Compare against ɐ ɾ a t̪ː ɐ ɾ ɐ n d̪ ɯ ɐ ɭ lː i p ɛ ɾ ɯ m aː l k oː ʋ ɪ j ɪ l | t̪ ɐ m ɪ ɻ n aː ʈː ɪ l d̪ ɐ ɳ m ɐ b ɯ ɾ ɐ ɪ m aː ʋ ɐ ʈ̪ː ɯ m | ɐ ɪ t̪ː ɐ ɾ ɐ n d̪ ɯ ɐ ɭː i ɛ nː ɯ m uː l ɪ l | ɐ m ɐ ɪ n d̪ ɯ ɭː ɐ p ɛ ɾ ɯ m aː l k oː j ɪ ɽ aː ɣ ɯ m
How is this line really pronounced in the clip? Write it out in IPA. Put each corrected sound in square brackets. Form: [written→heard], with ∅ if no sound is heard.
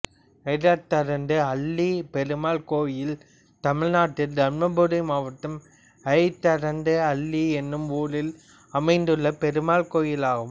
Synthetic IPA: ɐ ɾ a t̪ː ɐ ɾ ɐ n d̪ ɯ ɐ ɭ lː i p ɛ ɾ ɯ m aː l k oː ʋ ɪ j ɪ l | t̪ ɐ m ɪ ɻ n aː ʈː ɪ l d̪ ɐ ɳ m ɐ b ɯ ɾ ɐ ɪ m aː ʋ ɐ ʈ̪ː ɯ m | ɐ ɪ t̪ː ɐ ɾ ɐ n d̪ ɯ ɐ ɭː i ɛ nː ɯ m uː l ɪ l | ɐ m ɐ ɪ n d̪ ɯ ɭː ɐ p ɛ ɾ ɯ m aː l k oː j ɪ [ɽ→l] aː ɣ ɯ m